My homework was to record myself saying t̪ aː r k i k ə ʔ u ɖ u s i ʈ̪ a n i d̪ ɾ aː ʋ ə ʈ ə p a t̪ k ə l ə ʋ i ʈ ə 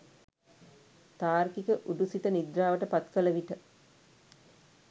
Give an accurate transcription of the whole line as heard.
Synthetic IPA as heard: t̪ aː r k i k ə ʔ u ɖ u s i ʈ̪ ə n i d̪ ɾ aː ʋ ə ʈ ə p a t̪ k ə l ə ʋ i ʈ ə